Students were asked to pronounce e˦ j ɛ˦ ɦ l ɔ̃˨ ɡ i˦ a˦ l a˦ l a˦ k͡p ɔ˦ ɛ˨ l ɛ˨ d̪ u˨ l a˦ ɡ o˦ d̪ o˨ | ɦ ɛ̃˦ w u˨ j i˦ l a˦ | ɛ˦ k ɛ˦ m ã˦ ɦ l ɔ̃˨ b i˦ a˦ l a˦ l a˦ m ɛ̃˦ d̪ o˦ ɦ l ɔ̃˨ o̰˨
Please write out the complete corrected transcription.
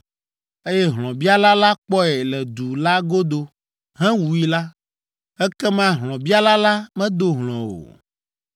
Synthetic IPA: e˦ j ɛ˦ ɦ l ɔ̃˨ b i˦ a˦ l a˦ l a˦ k͡p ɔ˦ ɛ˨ l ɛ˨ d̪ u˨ l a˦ ɡ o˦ d̪ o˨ | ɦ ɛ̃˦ w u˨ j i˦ l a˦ | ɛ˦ k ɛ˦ m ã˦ ɦ l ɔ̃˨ b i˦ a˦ l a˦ l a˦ m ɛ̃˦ d̪ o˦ ɦ l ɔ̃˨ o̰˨